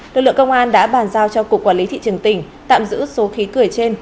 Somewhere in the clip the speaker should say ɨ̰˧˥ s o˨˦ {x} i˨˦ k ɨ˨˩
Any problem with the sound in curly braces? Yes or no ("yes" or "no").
no